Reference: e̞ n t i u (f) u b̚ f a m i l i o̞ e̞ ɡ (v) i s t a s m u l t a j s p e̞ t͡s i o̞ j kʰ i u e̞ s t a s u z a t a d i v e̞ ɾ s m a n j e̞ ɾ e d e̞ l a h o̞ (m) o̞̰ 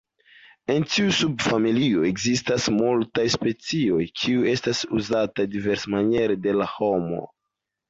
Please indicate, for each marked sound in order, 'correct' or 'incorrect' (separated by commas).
incorrect, incorrect, correct